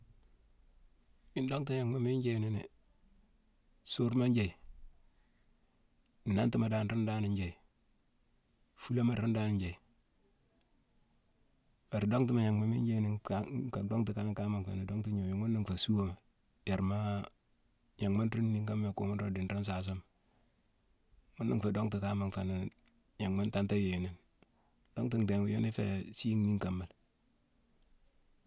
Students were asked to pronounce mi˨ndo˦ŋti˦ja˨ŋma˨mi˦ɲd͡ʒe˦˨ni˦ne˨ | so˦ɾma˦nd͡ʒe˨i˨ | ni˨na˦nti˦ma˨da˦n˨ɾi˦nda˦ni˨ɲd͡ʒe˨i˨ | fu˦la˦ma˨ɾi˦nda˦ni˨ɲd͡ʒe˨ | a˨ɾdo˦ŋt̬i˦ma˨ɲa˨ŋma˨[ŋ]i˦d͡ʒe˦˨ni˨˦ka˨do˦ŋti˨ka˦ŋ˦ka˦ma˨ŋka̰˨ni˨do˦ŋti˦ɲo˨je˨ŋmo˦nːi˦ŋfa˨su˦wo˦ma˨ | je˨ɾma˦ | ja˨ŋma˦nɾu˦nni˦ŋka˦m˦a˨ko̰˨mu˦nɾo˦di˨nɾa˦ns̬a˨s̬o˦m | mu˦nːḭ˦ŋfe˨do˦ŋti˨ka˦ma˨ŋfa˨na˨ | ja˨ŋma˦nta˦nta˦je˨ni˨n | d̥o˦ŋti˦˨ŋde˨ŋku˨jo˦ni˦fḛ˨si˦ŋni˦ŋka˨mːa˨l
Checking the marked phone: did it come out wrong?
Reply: yes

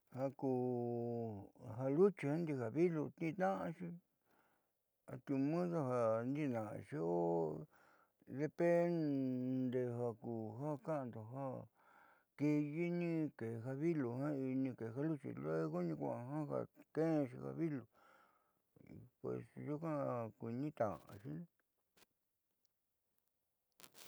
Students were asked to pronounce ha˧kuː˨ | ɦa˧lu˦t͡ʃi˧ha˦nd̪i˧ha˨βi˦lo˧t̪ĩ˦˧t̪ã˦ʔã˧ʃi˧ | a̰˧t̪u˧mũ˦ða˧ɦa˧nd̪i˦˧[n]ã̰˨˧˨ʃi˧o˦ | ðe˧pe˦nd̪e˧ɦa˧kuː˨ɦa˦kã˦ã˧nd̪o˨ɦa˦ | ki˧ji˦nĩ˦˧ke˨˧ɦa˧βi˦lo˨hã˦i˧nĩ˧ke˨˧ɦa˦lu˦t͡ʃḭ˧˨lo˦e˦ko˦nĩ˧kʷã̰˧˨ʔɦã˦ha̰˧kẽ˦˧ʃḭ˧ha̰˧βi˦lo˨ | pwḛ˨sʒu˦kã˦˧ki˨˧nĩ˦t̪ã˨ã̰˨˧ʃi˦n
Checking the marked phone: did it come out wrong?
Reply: no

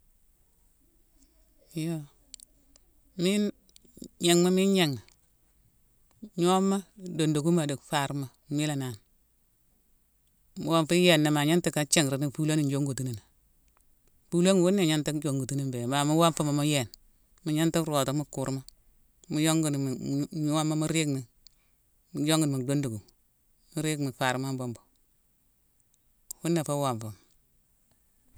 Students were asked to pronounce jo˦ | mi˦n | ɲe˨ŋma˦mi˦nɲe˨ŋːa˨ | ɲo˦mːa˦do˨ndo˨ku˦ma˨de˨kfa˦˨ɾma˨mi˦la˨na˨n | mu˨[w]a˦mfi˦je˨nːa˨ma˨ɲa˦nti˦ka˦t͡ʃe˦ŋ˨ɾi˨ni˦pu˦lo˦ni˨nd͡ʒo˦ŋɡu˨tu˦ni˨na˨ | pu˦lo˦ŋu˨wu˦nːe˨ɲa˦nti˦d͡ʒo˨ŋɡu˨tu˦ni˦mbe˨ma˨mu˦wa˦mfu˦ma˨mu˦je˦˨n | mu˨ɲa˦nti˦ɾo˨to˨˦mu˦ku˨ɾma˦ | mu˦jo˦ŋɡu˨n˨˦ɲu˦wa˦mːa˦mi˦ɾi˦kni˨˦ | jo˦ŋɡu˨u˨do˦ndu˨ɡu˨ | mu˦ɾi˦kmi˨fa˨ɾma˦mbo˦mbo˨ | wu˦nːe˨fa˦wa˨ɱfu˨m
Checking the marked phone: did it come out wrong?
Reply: no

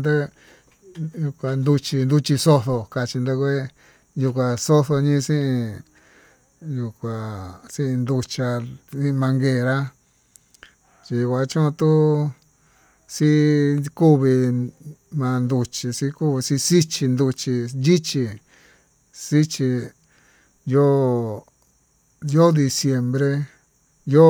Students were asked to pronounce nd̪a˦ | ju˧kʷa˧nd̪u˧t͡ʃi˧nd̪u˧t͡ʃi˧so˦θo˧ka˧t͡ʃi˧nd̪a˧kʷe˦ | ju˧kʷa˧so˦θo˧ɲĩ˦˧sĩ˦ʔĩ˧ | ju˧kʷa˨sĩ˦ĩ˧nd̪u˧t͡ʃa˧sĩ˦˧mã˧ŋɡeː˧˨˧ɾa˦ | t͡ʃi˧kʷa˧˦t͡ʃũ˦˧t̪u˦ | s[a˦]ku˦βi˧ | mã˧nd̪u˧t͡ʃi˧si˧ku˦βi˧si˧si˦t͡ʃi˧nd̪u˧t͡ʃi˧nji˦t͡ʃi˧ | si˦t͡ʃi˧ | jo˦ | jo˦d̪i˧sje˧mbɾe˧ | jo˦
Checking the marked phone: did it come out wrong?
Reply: yes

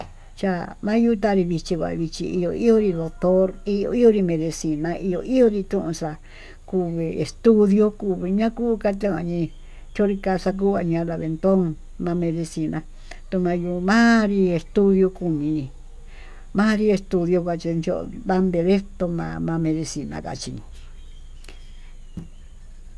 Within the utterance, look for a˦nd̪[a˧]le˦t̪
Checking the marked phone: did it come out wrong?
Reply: yes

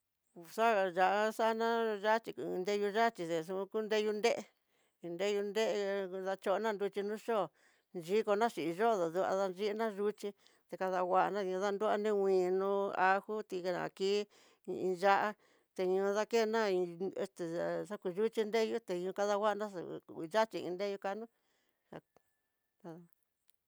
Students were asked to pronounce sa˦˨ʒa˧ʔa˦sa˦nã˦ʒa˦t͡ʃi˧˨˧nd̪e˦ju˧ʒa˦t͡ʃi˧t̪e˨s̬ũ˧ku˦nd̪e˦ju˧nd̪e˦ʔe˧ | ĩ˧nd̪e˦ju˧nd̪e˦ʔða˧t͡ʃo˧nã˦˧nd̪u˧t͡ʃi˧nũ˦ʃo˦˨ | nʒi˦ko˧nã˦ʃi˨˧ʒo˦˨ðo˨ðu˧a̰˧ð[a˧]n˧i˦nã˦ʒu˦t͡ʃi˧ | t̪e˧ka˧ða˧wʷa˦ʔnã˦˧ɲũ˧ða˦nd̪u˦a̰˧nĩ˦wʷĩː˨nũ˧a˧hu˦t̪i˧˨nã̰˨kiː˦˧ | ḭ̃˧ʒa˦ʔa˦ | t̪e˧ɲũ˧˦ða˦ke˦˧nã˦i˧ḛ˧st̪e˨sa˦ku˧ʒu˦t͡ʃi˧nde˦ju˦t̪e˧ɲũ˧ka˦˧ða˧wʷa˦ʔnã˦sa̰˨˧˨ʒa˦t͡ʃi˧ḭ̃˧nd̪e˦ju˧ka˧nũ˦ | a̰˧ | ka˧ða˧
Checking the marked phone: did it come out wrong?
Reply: no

